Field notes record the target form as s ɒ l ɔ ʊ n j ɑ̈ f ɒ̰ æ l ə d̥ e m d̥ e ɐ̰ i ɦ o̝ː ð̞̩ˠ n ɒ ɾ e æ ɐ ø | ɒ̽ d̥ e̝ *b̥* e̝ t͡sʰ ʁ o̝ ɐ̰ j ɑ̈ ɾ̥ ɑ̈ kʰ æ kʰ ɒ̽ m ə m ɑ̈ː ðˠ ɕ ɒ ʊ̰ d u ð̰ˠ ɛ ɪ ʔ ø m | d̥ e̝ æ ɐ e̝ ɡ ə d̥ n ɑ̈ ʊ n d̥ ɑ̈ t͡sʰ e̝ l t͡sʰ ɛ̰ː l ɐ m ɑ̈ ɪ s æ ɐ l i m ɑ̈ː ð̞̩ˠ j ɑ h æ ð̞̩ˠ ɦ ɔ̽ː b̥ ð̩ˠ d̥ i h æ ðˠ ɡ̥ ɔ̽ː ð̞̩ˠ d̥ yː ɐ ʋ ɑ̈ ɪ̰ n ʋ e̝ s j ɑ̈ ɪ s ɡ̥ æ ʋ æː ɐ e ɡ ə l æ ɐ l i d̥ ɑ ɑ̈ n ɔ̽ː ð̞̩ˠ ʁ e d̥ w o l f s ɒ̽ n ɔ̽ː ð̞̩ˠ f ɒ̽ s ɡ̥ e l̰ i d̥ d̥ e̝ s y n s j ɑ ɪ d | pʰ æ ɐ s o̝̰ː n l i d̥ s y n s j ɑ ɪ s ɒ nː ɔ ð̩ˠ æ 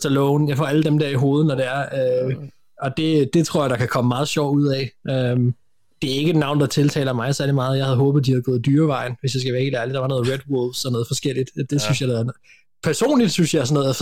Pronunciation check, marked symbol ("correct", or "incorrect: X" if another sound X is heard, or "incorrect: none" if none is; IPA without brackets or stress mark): incorrect: d̥